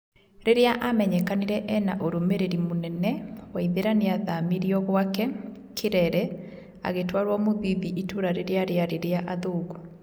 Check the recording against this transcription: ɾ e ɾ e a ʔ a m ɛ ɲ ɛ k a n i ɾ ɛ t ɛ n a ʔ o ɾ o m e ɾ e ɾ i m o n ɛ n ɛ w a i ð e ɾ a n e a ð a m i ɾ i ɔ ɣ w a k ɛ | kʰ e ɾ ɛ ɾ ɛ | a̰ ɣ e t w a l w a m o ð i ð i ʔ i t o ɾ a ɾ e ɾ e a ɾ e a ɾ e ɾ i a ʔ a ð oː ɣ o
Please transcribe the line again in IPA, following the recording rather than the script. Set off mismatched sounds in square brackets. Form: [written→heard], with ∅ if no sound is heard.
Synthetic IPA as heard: ɾ e ɾ e a ʔ a m ɛ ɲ ɛ k a n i ɾ ɛ [t→ʔ] ɛ n a ʔ o ɾ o m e ɾ e ɾ i m o n ɛ n ɛ w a i ð e ɾ a n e a ð a m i ɾ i ɔ ɣ w a k ɛ | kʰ e ɾ ɛ ɾ ɛ | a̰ ɣ e t w a [l→ɾ] w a m o ð i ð i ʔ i t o ɾ a ɾ e ɾ e a ɾ e a ɾ e ɾ [i→e] a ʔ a ð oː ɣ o